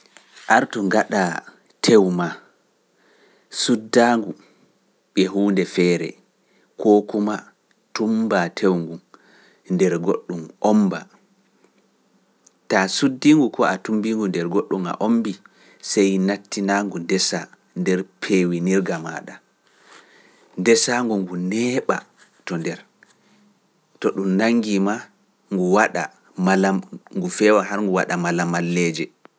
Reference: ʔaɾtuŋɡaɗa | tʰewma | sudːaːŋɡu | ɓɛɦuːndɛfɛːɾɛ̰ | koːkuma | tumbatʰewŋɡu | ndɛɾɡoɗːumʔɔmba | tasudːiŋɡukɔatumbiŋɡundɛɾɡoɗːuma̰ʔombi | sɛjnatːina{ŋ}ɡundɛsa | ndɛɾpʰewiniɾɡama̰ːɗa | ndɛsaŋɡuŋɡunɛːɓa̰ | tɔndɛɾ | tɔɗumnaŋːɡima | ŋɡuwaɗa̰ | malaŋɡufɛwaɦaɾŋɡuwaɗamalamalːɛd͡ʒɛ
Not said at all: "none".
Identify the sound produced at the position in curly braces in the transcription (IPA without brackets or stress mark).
ŋ